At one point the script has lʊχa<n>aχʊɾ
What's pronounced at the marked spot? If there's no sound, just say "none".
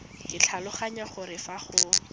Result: ɲ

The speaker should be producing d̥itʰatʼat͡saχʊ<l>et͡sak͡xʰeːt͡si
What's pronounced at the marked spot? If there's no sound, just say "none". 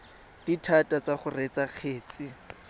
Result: r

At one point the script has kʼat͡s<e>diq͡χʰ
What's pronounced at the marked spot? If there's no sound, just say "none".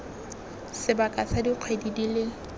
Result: a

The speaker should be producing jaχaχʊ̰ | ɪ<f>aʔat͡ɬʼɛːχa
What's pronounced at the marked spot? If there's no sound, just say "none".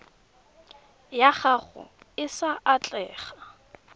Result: s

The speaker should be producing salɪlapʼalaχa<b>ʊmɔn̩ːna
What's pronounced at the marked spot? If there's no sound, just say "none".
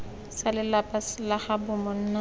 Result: b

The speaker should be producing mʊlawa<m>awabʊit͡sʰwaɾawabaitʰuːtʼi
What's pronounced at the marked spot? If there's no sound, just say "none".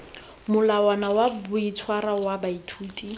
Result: n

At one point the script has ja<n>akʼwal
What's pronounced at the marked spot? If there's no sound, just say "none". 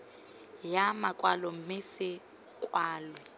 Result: m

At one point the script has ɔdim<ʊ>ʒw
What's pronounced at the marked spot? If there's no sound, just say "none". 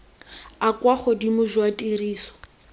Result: ʊ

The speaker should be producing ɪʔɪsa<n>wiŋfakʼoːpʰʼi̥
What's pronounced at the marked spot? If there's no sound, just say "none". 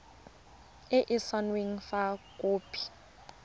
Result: n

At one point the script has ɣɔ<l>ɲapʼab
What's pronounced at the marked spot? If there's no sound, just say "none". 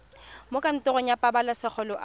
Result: none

